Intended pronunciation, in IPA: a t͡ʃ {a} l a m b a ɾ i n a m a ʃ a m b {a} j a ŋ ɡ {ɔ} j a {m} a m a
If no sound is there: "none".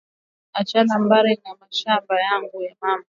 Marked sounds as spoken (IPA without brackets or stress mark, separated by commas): a, a, u, m